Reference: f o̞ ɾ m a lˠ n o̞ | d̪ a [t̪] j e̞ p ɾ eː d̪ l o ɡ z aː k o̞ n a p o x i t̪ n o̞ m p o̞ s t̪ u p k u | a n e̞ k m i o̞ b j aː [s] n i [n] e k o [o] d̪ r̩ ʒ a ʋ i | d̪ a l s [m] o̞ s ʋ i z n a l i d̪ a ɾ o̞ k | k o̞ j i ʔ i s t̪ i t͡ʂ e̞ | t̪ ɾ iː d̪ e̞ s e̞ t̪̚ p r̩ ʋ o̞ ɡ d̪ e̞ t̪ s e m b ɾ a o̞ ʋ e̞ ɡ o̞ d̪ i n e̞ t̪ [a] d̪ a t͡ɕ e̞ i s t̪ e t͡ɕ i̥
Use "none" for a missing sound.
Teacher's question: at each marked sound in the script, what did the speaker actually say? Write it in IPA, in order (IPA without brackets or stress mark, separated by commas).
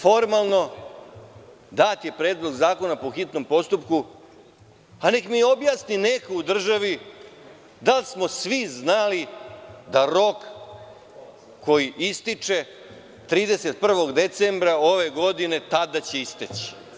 t̪, s, n, u, m, a